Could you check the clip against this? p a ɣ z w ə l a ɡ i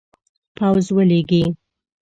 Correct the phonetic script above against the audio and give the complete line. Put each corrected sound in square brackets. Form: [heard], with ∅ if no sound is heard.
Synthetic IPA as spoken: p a [w] z w ə l [e] ɡ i